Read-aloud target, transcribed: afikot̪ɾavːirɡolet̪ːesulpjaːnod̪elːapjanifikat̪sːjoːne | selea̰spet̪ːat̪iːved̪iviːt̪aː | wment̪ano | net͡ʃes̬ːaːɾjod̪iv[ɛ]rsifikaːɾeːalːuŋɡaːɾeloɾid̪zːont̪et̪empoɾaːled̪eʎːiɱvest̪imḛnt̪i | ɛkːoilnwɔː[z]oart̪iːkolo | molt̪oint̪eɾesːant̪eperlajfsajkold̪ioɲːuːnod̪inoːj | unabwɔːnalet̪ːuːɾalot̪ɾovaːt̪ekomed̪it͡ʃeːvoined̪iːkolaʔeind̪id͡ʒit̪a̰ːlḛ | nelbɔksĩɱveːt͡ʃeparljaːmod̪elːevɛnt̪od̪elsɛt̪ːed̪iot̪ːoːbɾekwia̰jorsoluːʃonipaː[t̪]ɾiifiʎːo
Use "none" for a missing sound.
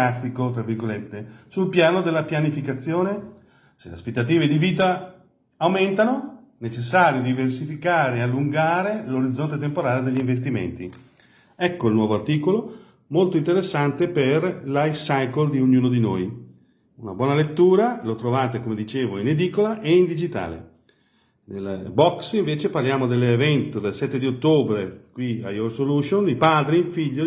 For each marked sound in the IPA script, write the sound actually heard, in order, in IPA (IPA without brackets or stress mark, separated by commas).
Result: e, v, d̪